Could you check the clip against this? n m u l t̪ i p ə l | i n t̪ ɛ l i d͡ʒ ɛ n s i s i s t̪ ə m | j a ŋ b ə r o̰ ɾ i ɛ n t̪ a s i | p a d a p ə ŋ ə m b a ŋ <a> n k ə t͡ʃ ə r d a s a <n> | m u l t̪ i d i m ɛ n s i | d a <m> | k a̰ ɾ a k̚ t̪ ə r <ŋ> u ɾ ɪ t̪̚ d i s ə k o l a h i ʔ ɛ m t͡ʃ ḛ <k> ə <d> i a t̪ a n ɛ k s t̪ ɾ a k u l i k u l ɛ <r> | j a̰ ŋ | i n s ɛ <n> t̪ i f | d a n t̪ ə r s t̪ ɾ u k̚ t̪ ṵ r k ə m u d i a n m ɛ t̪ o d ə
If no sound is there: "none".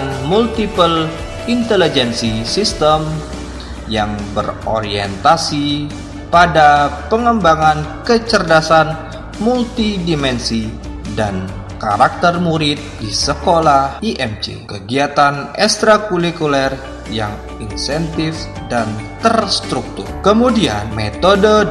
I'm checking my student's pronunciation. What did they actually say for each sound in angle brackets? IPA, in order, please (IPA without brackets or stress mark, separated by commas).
a, n, n, m, k, ɡ, r, n